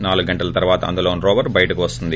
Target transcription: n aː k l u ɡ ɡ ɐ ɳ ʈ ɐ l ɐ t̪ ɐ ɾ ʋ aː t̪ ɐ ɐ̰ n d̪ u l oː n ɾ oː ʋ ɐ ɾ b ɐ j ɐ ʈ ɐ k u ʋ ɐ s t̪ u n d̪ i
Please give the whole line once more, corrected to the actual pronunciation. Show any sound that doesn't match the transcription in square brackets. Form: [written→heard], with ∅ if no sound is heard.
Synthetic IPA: n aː [k→∅] l u ɡ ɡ ɐ ɳ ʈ ɐ l ɐ t̪ ɐ ɾ ʋ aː t̪ ɐ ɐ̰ n d̪ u l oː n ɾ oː ʋ ɐ ɾ b ɐ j ɐ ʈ ɐ k u ʋ ɐ s t̪ u n d̪ i